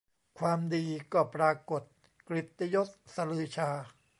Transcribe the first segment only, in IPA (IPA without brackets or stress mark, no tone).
kʰ